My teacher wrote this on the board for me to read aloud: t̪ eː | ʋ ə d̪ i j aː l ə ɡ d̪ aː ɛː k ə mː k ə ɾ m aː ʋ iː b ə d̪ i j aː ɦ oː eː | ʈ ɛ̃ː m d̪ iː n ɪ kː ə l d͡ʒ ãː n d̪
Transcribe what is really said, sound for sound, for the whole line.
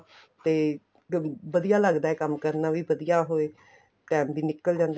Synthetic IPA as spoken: t̪ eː | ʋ ə d̪ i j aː l ə ɡ d̪ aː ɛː k ə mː k ə ɾ n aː ʋ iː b ə d̪ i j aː ɦ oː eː | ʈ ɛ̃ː m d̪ iː n ɪ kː ə l d͡ʒ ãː n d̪